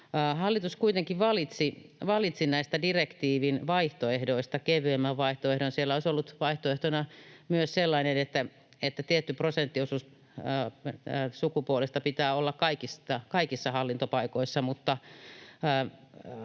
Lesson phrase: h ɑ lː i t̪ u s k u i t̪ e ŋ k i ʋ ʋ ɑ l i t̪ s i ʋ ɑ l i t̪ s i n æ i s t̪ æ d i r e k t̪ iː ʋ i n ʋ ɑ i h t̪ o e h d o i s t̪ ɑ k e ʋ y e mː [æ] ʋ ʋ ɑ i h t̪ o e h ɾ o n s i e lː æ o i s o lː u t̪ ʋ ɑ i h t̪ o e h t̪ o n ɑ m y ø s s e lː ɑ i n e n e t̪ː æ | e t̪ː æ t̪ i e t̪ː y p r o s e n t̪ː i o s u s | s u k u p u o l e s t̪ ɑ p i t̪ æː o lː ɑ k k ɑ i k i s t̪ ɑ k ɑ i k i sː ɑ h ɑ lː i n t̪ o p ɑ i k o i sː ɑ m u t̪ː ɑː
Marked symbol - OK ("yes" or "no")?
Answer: yes